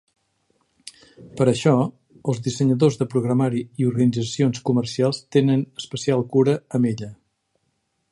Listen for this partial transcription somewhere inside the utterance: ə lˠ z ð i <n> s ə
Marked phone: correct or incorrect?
incorrect